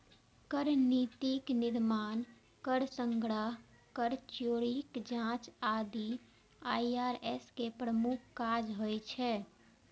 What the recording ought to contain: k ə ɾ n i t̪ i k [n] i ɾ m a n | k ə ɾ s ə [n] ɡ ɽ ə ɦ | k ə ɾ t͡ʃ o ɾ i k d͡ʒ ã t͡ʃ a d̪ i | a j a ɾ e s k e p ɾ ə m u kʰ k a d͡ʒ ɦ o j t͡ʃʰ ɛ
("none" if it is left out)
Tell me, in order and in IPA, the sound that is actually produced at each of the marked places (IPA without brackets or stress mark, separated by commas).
n, ŋ